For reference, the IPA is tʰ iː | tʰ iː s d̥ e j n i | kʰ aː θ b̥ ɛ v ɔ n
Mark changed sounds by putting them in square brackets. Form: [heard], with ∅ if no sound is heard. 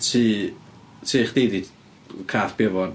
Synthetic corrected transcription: tʰ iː | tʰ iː [χ] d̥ e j [d] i | kʰ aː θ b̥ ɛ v ɔ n

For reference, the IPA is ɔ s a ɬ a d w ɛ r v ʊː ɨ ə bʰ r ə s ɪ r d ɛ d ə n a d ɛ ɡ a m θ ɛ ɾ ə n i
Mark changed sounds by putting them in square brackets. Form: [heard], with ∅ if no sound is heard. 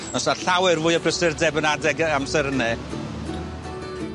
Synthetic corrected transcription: ɔ s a ɬ a [∅] w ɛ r v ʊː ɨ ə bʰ r ə s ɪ r d ɛ [b] ə n a d ɛ ɡ a m [s] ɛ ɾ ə n [ɛ]

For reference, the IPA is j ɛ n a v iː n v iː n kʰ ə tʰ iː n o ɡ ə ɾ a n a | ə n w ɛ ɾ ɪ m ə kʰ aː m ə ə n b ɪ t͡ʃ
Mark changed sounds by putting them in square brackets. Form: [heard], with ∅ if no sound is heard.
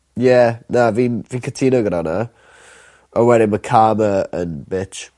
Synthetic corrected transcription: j ɛ n a v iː n v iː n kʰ ə tʰ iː n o ɡ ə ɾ a n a | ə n w ɛ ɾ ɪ m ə kʰ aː m ə ə n b ɪ t͡ʃ

